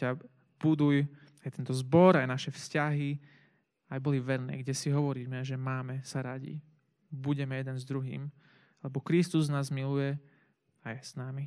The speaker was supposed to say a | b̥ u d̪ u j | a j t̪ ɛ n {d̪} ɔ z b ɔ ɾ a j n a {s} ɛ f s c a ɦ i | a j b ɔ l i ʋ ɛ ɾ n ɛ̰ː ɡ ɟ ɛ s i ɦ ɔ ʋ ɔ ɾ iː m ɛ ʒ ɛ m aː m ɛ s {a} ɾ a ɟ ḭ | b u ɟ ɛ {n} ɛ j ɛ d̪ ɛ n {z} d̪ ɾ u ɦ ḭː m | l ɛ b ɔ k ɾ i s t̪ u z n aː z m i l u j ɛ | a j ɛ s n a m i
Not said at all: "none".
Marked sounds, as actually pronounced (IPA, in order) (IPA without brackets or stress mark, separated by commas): t̪, ʃ, a, m, z